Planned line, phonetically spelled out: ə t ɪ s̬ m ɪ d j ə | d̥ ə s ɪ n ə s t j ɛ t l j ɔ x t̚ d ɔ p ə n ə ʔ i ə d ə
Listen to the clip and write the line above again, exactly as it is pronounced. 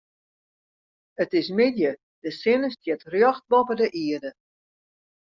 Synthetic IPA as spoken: ə t ɪ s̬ m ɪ d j ə | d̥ ə s ɪ n ə s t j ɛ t r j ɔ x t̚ b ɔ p ə d ə ʔ i ə d ə